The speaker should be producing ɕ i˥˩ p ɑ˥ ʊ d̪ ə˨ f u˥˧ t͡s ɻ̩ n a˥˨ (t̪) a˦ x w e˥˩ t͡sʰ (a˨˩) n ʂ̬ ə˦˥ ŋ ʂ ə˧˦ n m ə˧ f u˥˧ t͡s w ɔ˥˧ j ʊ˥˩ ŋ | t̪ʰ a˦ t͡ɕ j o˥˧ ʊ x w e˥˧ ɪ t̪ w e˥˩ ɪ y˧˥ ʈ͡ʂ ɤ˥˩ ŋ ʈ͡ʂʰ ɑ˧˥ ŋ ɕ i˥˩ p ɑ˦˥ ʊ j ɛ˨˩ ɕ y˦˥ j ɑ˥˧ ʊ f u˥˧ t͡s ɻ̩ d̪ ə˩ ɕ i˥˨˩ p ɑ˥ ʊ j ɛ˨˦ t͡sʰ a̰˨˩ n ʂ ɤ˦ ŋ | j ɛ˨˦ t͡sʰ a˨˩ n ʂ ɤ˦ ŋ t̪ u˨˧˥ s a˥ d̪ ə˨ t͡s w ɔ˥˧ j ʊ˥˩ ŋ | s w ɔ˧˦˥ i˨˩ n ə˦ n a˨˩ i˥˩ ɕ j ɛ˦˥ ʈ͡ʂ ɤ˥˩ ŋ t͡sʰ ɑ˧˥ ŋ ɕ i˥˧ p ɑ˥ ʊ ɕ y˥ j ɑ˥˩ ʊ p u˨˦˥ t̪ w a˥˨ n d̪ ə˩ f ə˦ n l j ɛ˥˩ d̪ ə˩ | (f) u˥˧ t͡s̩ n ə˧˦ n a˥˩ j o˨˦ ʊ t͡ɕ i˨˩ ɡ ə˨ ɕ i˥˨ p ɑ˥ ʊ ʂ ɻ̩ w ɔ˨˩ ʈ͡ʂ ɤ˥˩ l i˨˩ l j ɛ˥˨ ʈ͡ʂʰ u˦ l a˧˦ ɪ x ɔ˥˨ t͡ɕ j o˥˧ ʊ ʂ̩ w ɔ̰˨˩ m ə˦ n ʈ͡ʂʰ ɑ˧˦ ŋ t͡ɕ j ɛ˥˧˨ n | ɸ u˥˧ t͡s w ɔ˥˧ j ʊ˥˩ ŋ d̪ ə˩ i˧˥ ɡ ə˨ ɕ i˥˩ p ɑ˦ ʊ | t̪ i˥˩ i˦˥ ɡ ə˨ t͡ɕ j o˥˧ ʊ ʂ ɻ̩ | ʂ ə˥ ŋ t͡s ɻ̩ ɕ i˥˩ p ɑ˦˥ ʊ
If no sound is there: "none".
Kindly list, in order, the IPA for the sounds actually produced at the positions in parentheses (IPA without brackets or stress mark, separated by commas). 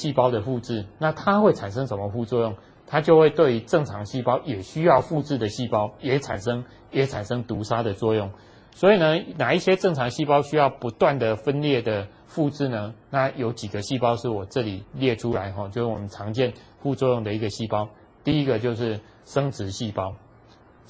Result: t̪ʰ, a˨˩, f